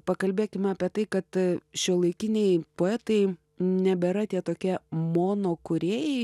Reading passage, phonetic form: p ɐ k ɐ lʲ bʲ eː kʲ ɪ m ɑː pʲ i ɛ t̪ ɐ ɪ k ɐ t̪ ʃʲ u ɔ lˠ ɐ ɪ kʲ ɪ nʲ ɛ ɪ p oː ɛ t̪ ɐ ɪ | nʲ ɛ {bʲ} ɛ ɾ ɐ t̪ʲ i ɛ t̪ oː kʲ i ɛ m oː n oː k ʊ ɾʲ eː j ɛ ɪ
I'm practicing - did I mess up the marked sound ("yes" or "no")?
no